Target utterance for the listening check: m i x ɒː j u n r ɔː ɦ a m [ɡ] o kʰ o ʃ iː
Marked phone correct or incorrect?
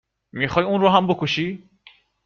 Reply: incorrect